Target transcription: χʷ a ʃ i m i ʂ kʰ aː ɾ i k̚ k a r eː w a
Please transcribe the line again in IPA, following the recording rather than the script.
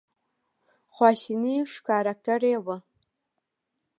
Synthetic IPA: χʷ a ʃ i n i ʂ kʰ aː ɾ a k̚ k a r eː w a